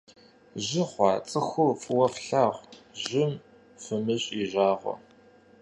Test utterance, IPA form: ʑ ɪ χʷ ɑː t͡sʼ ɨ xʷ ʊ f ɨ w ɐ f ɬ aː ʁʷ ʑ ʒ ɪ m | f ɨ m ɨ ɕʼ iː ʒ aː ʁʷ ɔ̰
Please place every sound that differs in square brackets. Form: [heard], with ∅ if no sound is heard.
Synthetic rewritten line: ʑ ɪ χʷ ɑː t͡sʼ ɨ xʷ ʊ f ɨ w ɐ f ɬ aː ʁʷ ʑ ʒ ɪ m | f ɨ m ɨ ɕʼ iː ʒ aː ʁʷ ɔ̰